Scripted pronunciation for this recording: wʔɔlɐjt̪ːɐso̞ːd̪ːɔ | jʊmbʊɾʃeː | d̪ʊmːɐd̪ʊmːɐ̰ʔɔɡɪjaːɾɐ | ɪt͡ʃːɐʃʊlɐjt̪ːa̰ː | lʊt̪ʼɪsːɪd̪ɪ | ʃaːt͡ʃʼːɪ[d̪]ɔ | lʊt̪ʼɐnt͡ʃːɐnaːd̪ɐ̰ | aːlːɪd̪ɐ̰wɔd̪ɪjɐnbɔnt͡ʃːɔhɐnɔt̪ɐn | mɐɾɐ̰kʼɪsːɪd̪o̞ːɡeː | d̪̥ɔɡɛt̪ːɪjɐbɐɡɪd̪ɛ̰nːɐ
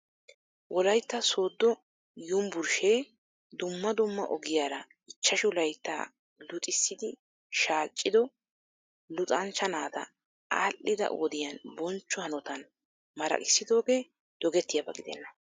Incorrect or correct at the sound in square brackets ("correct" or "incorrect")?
correct